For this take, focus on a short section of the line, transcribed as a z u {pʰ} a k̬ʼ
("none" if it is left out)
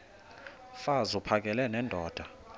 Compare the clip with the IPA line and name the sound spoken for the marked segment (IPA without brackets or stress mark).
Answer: pʰ